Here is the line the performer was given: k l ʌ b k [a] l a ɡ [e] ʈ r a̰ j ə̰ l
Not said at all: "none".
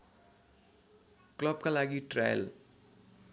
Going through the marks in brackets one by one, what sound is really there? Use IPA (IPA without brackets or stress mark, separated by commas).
a, i